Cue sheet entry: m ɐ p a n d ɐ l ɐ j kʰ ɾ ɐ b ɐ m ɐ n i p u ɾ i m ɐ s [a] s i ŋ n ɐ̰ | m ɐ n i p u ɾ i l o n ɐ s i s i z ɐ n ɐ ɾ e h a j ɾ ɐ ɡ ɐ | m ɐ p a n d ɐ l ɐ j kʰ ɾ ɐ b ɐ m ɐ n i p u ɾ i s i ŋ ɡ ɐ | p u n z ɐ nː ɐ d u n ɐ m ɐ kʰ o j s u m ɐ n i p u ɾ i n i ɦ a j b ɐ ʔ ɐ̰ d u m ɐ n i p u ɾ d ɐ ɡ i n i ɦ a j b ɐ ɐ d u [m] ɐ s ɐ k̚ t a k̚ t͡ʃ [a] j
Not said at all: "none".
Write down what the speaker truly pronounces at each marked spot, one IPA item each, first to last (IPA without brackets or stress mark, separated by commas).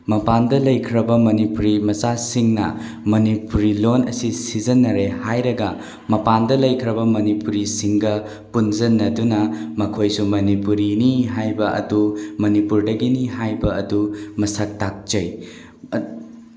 a, m, ɐ